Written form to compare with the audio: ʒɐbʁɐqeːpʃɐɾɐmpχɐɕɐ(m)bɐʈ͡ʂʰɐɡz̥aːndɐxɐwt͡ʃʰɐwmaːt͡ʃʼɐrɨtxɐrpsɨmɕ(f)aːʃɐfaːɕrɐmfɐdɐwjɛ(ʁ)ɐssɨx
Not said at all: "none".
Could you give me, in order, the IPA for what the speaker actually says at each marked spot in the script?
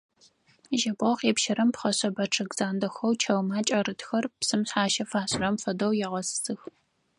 none, ħ, ʁ

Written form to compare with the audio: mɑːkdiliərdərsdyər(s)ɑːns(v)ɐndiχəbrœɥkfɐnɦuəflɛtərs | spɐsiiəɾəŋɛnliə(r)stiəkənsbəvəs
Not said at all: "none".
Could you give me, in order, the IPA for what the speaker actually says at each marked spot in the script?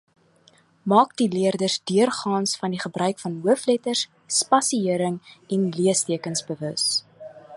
χ, f, none

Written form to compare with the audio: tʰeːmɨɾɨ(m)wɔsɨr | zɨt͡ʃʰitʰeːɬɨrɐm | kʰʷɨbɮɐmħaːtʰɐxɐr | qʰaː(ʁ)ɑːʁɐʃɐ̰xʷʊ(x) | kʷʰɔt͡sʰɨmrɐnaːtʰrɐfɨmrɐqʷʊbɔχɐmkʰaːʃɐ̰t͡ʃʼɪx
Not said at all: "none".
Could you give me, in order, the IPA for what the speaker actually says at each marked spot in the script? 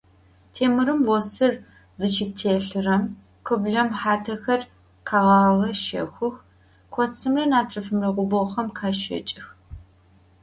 m, ʁ, x

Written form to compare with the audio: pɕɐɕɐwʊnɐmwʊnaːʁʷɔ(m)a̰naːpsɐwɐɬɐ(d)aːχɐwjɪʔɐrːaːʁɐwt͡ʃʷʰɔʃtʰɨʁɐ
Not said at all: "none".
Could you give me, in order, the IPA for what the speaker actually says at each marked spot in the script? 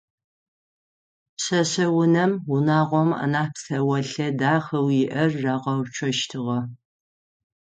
m, d

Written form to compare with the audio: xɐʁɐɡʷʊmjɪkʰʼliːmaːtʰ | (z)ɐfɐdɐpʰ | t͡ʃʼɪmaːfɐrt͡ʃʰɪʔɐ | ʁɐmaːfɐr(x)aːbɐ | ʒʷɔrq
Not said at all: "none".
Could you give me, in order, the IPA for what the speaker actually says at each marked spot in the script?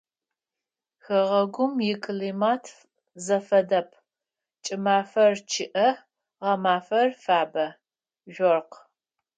z, f

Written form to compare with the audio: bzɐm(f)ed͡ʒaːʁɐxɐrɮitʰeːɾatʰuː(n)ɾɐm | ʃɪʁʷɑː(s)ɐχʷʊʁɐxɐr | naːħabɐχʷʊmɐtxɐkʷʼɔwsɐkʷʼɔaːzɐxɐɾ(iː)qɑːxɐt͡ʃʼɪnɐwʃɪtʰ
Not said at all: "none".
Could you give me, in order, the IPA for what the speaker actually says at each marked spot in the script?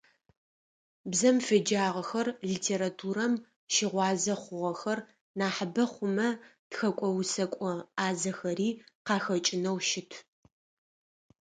f, none, z, iː

